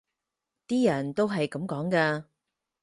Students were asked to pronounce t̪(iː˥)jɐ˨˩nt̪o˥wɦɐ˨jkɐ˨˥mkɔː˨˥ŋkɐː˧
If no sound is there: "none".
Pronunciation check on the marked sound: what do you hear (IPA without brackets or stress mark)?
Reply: iː˥